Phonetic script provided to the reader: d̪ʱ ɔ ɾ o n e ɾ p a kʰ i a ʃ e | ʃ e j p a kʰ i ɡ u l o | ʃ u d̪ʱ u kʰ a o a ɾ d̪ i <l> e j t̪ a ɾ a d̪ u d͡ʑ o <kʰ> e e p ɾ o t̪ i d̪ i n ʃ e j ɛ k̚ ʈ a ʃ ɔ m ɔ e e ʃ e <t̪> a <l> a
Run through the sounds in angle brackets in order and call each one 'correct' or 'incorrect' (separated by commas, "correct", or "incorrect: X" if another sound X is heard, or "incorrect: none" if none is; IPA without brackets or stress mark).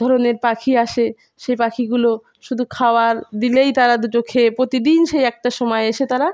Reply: correct, correct, correct, incorrect: ɾ